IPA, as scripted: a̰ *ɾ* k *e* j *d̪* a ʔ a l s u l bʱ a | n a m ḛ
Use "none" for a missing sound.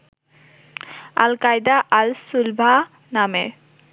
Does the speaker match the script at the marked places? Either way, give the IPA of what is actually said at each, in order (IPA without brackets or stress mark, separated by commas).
l, a, d̪